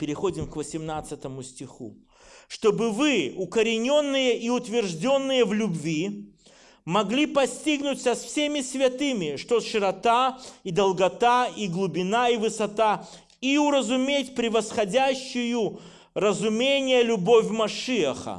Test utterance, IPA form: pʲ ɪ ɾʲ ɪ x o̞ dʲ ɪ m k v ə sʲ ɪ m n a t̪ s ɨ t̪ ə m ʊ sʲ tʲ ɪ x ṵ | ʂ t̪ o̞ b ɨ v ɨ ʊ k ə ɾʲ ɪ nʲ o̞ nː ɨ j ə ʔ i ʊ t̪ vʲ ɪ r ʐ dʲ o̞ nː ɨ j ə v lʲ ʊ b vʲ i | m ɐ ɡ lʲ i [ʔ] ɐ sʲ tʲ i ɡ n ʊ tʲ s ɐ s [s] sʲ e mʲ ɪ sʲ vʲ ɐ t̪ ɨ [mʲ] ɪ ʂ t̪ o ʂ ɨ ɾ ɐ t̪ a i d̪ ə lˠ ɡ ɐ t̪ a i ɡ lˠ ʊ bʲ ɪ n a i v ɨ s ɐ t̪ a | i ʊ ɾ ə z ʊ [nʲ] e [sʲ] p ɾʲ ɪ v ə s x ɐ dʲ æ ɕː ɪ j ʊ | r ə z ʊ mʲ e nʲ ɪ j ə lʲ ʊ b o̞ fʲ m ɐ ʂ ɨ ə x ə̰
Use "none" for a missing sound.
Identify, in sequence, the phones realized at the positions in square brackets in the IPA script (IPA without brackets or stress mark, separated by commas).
p, f, mʲ, mʲ, tʲ